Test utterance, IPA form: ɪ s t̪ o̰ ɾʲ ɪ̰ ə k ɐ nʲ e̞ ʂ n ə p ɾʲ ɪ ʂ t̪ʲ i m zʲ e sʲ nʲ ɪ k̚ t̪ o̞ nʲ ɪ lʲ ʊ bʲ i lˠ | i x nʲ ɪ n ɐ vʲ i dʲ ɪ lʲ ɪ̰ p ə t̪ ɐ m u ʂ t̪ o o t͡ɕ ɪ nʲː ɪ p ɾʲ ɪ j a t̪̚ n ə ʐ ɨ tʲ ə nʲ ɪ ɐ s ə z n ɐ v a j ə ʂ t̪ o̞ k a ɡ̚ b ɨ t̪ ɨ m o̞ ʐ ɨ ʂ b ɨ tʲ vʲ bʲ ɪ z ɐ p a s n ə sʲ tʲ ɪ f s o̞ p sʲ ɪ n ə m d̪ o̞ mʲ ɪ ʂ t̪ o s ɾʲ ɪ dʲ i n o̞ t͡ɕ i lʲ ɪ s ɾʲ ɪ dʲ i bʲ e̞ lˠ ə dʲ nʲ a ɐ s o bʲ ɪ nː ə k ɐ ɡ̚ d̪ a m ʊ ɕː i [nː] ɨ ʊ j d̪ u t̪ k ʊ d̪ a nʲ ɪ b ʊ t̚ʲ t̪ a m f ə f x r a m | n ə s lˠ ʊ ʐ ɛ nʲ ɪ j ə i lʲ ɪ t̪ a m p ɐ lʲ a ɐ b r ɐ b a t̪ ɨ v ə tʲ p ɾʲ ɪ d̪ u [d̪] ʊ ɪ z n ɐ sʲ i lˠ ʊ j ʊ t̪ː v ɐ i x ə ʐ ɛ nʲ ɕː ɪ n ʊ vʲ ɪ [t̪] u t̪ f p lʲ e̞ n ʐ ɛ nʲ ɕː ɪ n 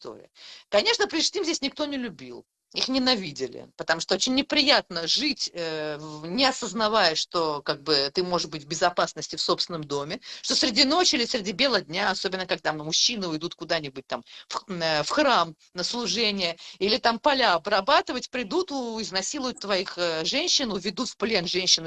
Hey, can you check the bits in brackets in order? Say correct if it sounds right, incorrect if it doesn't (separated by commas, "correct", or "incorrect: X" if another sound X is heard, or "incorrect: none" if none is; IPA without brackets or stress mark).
incorrect: n, incorrect: t̪, incorrect: d̪